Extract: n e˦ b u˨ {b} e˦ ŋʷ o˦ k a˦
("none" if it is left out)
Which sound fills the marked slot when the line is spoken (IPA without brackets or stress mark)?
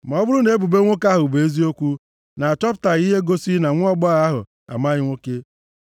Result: b